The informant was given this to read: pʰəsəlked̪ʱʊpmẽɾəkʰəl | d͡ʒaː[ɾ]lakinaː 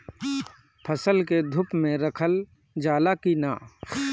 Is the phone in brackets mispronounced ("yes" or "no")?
yes